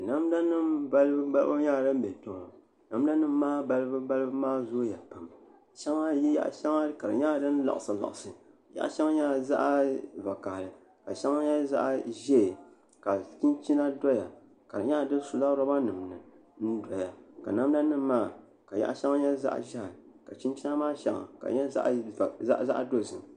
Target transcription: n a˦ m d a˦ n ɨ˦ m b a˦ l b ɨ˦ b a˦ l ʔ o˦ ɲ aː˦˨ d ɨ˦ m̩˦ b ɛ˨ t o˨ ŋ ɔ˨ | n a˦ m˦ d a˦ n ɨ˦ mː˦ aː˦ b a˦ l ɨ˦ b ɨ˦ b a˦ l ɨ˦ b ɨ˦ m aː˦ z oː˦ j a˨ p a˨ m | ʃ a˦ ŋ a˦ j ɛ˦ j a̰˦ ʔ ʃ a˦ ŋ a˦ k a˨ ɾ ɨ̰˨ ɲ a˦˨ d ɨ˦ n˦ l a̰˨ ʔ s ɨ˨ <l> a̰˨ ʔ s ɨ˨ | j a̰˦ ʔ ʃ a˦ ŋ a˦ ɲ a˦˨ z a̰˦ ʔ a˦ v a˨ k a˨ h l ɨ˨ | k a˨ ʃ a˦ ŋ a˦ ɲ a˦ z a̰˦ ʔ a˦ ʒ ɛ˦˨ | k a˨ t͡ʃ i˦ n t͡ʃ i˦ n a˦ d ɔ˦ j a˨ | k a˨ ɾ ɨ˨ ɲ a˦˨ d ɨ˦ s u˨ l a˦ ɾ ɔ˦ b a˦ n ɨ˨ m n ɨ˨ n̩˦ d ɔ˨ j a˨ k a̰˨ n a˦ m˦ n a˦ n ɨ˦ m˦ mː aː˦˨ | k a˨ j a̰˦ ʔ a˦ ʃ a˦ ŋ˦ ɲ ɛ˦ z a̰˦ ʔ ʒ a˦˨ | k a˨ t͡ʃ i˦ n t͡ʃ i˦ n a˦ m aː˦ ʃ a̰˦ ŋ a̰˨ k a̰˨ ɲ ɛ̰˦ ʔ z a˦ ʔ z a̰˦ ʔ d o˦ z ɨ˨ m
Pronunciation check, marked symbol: correct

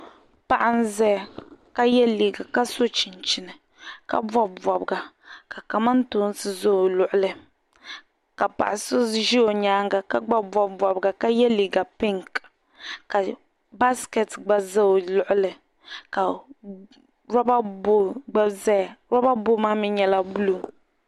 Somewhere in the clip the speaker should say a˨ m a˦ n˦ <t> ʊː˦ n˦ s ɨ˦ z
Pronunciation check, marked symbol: correct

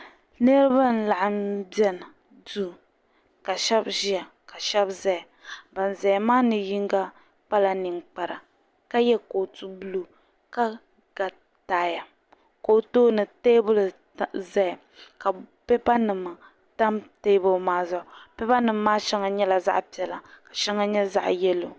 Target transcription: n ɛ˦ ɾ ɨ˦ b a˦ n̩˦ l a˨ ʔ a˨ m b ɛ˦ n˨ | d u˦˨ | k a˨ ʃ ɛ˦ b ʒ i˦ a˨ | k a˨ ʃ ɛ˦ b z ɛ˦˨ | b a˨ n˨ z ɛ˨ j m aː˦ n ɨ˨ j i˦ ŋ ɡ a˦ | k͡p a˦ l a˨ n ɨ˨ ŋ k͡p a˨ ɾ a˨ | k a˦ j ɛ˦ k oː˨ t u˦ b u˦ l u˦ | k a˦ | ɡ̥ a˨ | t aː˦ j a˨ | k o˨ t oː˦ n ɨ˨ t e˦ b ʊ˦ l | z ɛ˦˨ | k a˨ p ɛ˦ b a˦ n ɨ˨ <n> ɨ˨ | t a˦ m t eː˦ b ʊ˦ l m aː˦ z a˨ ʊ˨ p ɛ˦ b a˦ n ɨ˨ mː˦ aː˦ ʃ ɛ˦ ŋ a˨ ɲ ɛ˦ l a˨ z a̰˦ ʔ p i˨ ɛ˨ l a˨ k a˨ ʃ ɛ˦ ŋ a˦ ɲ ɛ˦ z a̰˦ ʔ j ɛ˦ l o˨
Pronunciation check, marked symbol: incorrect: m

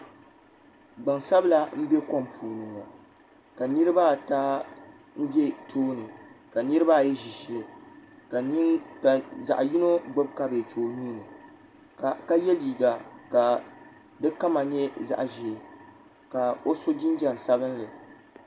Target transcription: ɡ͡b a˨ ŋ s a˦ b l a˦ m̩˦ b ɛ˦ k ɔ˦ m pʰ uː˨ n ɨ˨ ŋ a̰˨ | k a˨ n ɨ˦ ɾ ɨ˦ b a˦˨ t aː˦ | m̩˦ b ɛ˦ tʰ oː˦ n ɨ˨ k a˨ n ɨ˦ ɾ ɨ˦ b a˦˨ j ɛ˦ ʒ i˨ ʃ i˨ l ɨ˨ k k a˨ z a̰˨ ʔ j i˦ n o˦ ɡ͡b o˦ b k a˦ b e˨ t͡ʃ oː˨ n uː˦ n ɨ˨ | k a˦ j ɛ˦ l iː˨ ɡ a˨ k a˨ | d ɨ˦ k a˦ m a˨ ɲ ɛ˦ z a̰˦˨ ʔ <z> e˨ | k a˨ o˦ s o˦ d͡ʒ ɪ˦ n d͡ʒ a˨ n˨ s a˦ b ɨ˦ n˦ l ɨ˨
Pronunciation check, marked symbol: incorrect: ʒ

